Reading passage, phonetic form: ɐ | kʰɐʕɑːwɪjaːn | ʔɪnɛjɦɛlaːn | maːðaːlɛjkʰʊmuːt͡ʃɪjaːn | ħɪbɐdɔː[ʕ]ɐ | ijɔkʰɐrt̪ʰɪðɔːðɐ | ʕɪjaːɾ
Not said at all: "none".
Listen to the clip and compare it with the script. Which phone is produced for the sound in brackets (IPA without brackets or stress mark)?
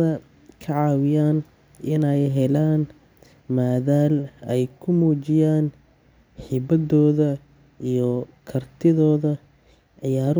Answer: ð